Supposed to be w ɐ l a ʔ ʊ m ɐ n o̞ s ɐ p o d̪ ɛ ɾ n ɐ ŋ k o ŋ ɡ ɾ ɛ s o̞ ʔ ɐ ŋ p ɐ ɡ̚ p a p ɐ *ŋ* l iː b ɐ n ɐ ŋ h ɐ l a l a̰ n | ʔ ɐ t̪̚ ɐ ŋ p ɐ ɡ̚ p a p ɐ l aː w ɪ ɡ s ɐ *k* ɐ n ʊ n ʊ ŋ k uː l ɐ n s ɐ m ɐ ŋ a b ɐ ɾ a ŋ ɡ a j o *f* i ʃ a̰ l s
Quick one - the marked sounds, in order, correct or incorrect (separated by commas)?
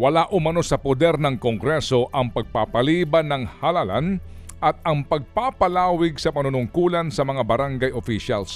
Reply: incorrect, incorrect, correct